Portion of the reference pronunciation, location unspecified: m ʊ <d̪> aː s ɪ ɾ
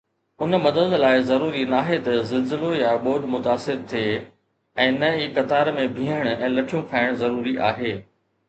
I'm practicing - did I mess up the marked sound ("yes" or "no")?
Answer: yes